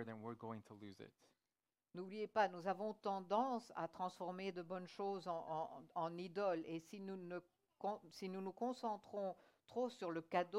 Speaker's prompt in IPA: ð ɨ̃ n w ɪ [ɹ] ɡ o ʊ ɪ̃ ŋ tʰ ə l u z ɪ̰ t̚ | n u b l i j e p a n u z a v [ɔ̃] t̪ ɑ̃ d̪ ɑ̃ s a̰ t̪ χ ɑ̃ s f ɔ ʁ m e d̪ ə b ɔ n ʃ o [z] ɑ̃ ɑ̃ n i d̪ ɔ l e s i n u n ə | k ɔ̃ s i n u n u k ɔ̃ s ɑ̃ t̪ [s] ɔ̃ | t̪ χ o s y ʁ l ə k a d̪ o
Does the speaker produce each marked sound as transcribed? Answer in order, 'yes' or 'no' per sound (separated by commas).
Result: yes, yes, yes, no